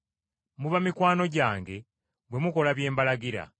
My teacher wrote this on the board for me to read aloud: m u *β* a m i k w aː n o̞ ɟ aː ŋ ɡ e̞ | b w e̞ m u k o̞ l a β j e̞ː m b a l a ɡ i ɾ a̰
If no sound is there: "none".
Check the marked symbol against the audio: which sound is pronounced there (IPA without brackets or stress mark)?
β